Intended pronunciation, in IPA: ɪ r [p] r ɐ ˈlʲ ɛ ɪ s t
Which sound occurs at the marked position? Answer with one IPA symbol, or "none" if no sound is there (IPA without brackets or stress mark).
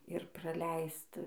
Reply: p